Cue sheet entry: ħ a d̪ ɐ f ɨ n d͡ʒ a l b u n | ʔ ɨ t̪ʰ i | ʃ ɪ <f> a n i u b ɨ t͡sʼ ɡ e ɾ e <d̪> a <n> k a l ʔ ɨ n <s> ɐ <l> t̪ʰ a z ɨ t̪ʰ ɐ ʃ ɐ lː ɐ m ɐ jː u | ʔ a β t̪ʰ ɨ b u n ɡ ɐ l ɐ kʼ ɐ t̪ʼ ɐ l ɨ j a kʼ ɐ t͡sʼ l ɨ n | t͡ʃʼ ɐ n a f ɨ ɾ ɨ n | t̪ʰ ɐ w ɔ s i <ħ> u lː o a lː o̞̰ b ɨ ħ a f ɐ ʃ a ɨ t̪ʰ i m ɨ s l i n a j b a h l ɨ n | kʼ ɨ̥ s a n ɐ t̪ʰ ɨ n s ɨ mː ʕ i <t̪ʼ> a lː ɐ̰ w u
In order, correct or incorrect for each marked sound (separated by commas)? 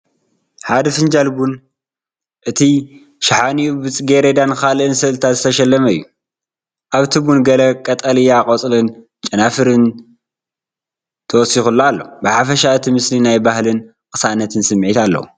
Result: incorrect, correct, correct, correct, correct, incorrect, incorrect